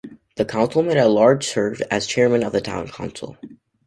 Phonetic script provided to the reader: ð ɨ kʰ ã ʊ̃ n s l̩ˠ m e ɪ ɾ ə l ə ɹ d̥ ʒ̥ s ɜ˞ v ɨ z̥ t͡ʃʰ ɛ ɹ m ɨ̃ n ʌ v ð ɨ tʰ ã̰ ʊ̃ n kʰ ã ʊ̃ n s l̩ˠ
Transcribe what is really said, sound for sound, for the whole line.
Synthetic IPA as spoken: ð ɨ kʰ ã ʊ̃ n s l̩ˠ m e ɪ ɾ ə l ɑ ɹ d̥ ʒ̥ s ɜ˞ v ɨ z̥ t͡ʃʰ ɛ ɹ m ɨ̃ n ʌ v ð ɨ tʰ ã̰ ʊ̃ n kʰ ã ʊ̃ n s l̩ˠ